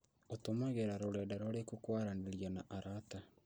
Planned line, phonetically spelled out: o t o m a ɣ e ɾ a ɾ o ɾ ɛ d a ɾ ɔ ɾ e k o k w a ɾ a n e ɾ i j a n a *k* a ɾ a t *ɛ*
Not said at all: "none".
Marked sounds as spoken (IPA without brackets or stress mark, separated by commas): ʔ, a